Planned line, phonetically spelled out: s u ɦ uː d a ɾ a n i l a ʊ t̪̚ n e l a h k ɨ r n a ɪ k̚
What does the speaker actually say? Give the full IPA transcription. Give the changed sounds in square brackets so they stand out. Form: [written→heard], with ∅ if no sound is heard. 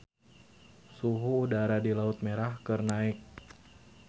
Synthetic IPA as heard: s u ɦ uː d a ɾ a [n→d] i l a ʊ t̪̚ [n→m] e [l→ɾ] a h k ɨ r n a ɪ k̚